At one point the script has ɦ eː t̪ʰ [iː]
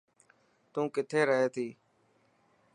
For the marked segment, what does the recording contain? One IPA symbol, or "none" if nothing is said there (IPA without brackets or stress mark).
iː